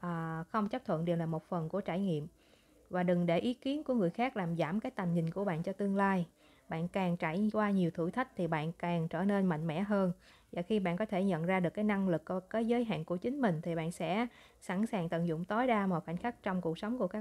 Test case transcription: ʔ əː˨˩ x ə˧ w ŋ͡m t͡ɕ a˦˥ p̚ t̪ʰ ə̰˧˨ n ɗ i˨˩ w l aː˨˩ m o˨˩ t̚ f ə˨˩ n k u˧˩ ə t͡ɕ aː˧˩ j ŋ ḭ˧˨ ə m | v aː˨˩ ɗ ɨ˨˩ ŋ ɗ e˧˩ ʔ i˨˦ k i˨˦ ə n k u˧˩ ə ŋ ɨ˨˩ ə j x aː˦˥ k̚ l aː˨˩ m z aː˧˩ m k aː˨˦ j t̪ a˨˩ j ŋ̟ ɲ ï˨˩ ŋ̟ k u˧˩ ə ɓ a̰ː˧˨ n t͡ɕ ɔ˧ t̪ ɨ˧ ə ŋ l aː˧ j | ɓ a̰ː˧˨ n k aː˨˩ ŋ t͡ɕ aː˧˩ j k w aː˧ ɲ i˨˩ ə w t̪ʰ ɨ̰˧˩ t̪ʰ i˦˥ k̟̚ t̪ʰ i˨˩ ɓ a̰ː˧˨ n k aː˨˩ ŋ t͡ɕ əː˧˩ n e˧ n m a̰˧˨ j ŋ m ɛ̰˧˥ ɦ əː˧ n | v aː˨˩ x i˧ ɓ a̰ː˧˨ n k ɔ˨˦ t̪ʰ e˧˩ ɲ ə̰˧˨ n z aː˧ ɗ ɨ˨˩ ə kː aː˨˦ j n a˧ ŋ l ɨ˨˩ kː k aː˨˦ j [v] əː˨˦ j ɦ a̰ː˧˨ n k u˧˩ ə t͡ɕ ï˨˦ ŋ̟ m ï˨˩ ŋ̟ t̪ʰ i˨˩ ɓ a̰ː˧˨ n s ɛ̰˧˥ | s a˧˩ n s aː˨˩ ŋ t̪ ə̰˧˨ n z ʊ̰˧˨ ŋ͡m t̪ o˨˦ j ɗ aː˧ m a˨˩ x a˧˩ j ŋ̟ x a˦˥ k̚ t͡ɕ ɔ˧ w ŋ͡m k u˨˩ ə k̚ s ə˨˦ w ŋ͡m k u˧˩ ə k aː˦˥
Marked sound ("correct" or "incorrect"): incorrect